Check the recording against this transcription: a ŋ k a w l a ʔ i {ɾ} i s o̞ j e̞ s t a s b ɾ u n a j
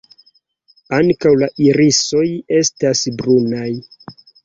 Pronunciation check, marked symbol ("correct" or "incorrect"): correct